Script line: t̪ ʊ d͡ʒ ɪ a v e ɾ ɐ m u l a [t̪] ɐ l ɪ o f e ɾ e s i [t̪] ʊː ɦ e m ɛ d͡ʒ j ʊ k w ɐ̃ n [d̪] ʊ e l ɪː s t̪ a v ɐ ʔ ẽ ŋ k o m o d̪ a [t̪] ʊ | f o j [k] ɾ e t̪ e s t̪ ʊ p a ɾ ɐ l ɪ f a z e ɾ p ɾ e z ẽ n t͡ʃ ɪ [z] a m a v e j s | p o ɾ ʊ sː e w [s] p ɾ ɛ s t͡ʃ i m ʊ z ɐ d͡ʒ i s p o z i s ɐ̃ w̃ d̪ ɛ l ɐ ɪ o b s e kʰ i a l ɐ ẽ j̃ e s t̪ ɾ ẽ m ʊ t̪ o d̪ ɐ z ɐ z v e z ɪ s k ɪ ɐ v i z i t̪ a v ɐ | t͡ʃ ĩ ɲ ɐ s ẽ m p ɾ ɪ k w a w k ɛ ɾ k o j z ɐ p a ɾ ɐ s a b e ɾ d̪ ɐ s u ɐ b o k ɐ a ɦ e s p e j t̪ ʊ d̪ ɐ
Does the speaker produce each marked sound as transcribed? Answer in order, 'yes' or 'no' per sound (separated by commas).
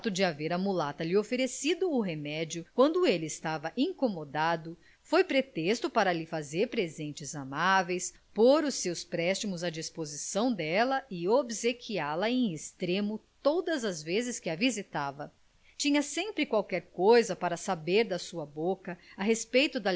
yes, no, yes, no, no, yes, yes